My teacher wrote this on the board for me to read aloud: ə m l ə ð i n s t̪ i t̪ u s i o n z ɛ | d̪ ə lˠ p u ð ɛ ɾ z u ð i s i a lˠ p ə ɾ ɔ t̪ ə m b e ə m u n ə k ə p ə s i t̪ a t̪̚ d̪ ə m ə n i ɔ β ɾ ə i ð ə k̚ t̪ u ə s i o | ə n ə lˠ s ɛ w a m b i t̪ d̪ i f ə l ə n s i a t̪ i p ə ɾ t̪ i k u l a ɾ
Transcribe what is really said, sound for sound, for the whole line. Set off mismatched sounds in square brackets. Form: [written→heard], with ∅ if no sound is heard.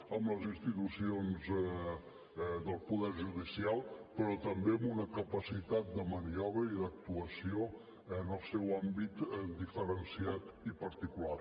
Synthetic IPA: ə m l ə [ð→z] i n s t̪ i t̪ u s i o n z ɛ | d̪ ə lˠ p u ð ɛ ɾ [z→ʒ] u ð i s i a lˠ p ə ɾ ɔ t̪ ə m b e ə m u n ə k ə p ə s i t̪ a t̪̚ d̪ ə m ə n i ɔ β ɾ ə i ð ə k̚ t̪ u ə s i o | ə n ə lˠ s ɛ w a m b i t̪ d̪ i f ə [l→ɾ] ə n s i a t̪ i p ə ɾ t̪ i k u l a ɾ

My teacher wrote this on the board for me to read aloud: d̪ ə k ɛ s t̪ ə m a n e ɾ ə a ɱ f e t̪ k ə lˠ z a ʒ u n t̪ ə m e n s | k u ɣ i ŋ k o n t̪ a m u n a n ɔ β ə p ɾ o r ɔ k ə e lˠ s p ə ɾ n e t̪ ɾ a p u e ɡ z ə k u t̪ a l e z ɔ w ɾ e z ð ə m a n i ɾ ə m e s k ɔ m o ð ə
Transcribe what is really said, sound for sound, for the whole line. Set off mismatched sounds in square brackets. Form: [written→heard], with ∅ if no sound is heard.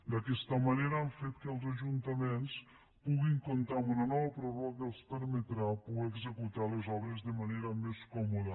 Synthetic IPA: d̪ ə k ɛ s t̪ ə m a n e ɾ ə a ɱ f e t̪ k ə lˠ z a ʒ u n t̪ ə m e n s | [k→p] u ɣ i ŋ k o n t̪ a m u n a n ɔ β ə p ɾ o r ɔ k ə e lˠ s p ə ɾ [n→m] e t̪ ɾ a p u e ɡ z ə k u t̪ a l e z ɔ [w→β] ɾ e z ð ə m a n [i→e] ɾ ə m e s k ɔ m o ð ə

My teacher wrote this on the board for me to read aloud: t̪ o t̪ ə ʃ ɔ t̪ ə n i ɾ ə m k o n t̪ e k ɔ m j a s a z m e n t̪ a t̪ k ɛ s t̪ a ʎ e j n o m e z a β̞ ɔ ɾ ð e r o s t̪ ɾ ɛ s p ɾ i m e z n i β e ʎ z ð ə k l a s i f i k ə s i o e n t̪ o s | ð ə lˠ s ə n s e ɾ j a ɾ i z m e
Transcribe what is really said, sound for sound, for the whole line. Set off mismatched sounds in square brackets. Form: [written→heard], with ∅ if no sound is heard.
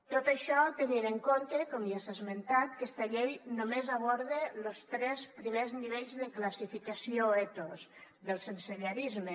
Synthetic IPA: t̪ o t̪ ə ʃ ɔ t̪ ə n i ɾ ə [m→ŋ] k o n t̪ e k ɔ m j a s a z m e n t̪ a t̪ k ɛ s t̪ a ʎ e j n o m e z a β̞ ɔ ɾ ð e [r→l] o s t̪ ɾ ɛ s p ɾ i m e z n i β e ʎ z ð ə k l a s i f i k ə s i o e [n→∅] t̪ o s | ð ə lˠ s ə n s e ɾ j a ɾ i z m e

